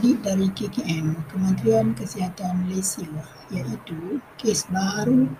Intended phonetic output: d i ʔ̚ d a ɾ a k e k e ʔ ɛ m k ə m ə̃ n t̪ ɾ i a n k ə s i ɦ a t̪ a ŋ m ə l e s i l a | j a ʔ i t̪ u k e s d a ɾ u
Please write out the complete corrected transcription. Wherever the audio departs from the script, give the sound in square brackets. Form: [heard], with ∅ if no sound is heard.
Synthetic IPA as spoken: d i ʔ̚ d a ɾ [i] k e k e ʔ ɛ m k ə m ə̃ n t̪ ɾ i a n k ə s i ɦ a t̪ a [n] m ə l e s i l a | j a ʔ i t̪ u k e s [b] a ɾ u